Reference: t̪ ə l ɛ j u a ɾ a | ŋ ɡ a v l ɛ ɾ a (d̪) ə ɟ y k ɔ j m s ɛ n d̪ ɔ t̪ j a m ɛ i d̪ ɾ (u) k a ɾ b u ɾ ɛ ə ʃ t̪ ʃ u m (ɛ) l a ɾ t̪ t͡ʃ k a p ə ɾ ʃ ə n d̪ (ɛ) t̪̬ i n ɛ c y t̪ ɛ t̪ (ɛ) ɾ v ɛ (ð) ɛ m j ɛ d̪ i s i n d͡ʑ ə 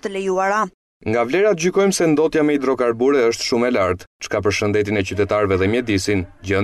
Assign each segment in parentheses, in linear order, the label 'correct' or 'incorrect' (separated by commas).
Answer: incorrect, incorrect, correct, correct, incorrect, correct